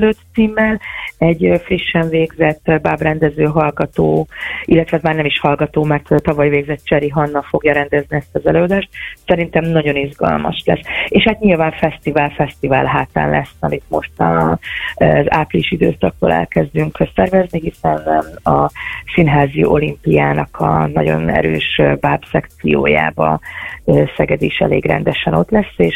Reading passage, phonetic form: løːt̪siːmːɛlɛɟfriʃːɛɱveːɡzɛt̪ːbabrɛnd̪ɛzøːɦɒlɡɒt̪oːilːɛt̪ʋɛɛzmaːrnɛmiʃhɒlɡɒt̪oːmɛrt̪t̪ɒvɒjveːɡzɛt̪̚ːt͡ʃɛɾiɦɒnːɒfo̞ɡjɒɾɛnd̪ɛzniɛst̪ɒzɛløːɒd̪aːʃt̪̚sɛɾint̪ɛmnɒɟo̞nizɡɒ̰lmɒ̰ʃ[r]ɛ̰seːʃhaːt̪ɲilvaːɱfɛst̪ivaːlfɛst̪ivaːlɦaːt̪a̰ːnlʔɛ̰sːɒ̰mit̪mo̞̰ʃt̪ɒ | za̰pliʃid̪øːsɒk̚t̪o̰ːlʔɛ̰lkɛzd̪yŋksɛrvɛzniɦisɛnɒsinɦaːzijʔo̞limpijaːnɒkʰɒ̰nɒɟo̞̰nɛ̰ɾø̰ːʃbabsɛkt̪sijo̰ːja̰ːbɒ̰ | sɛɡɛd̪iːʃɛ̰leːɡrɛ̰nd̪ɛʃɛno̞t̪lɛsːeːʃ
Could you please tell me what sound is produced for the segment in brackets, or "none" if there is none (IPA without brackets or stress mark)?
l